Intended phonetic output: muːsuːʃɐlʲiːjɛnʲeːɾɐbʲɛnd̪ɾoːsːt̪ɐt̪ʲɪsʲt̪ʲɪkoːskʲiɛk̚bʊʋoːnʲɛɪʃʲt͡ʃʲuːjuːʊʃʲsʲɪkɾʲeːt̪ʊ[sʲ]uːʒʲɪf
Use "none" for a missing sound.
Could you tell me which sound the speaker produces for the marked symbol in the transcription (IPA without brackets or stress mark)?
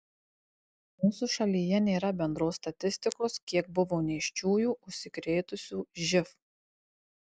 sʲ